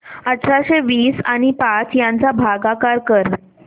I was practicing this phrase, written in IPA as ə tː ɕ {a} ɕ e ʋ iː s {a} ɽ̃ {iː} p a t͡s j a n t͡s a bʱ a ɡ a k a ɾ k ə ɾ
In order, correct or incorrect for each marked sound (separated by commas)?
correct, correct, incorrect